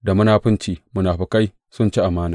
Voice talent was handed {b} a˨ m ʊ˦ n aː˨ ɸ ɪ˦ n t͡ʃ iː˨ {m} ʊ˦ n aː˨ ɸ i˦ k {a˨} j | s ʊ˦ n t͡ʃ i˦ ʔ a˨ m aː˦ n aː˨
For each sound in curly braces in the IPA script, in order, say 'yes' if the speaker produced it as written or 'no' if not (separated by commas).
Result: no, yes, no